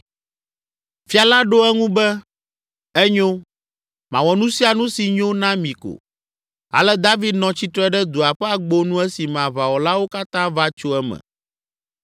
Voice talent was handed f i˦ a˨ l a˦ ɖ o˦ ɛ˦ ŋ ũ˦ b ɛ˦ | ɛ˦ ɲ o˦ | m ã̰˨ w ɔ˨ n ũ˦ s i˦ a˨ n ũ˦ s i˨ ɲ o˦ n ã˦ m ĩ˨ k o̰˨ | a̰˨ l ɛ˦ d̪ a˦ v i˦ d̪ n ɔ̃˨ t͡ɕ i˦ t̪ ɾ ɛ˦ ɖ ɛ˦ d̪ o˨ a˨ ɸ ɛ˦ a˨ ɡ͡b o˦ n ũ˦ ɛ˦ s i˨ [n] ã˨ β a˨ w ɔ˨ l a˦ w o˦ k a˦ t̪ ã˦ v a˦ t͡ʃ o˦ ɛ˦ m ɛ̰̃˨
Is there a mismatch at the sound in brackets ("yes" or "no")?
yes